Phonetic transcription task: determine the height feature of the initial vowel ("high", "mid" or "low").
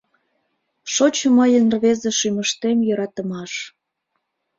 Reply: mid